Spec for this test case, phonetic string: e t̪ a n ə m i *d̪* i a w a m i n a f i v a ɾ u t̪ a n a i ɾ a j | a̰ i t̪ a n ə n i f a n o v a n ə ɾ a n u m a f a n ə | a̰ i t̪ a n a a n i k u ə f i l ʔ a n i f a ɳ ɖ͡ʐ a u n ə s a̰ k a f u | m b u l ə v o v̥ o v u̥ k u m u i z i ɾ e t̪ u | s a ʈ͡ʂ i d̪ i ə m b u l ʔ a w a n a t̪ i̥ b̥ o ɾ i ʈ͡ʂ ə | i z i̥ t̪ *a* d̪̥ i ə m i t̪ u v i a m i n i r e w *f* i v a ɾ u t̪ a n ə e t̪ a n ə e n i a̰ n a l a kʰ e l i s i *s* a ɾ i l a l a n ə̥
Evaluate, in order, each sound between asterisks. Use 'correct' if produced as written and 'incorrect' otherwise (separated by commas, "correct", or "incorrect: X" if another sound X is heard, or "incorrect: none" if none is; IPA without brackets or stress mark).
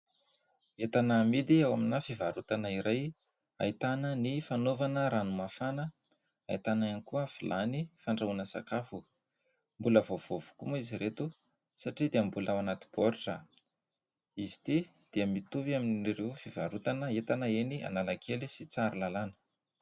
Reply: correct, incorrect: i, correct, incorrect: t͡s